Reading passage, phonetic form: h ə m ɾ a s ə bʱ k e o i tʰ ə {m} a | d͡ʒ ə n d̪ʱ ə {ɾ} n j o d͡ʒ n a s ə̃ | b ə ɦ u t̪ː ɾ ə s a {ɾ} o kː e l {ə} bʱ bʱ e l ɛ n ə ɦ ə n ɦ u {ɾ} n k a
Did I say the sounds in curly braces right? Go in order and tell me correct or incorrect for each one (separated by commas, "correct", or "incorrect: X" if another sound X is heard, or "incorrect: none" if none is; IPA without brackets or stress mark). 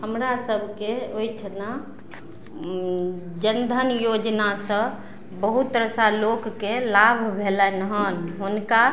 incorrect: n, incorrect: none, incorrect: l, incorrect: a, incorrect: none